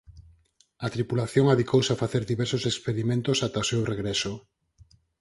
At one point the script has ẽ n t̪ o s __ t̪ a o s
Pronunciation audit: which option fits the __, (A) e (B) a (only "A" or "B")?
B